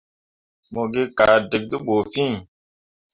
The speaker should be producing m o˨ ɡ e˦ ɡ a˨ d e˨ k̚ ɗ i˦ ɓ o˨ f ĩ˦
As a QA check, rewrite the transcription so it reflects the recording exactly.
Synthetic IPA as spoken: m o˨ ɡ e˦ k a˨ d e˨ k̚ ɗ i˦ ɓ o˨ f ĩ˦